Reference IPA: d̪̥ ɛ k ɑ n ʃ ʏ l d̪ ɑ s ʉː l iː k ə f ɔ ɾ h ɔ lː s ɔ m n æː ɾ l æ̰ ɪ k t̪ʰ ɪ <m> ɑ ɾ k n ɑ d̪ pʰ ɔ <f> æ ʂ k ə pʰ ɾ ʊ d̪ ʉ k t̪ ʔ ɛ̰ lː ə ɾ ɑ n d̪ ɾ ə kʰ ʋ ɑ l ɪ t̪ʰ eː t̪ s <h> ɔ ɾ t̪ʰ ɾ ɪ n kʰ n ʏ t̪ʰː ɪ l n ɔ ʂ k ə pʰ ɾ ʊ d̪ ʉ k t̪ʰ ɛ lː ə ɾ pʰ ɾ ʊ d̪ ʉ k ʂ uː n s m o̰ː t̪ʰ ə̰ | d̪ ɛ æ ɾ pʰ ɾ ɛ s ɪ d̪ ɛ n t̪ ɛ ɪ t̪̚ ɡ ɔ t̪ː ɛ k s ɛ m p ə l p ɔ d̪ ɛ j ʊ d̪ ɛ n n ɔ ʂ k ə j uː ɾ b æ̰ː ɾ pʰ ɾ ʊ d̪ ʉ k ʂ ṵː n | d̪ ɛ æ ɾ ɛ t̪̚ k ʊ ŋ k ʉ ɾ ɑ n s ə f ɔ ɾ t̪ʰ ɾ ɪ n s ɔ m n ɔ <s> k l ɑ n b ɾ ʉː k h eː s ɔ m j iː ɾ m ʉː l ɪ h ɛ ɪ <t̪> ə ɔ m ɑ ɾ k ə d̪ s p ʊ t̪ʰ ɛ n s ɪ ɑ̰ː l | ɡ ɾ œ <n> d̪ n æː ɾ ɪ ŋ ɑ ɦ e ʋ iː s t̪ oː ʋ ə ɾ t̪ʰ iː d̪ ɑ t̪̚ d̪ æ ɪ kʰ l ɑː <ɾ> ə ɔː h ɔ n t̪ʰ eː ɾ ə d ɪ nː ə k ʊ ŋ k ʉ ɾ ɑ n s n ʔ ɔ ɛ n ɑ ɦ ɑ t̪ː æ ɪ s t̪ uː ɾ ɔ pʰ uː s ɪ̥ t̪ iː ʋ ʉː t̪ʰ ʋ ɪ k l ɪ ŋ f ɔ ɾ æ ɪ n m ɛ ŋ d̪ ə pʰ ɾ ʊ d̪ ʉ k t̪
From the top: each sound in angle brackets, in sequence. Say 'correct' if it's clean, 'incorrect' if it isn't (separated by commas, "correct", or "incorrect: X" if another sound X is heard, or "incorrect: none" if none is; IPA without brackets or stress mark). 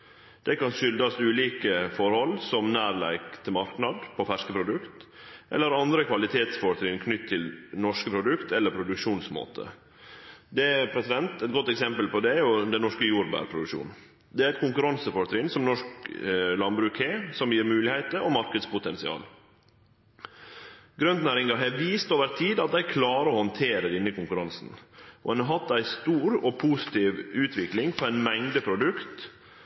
correct, correct, incorrect: f, incorrect: ʂ, correct, correct, correct